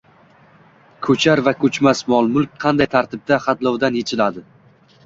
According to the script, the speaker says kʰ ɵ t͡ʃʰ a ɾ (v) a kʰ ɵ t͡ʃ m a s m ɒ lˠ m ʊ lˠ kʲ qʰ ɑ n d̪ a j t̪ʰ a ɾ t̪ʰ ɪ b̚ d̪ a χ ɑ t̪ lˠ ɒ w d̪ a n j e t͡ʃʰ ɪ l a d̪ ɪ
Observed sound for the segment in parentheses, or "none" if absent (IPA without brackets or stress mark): v